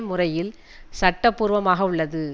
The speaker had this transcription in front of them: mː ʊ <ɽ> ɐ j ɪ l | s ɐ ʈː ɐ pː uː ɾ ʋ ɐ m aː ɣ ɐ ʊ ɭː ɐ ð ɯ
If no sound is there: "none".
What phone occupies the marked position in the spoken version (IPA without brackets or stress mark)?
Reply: r